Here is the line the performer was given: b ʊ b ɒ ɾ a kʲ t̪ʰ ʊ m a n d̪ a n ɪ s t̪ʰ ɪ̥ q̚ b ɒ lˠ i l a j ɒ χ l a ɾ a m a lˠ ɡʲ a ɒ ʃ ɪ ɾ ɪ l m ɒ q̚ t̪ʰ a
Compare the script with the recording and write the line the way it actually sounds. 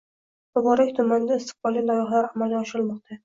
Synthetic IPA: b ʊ b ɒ ɾ a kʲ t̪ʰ ʊ m a n d̪ a ɪ s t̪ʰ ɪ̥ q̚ b ɒ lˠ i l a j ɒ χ l a ɾ a m a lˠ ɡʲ a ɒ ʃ ɪ ɾ ɪ l m ɒ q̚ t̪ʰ a